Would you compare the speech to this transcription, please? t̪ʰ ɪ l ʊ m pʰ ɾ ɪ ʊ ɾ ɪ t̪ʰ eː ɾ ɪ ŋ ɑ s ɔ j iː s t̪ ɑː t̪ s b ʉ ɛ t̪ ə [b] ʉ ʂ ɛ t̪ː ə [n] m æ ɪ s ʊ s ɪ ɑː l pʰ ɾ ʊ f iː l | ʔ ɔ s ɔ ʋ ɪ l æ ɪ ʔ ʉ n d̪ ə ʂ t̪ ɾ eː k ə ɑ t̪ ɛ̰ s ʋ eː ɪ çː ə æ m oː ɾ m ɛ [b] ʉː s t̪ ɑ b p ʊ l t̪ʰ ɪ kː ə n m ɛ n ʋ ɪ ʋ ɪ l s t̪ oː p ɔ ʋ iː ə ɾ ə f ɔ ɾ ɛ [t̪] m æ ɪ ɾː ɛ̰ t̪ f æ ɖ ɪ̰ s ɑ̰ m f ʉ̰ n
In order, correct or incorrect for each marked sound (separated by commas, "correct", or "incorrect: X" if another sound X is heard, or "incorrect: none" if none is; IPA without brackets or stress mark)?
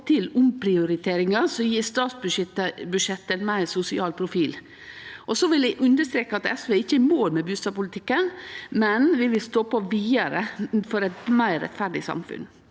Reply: correct, correct, correct, correct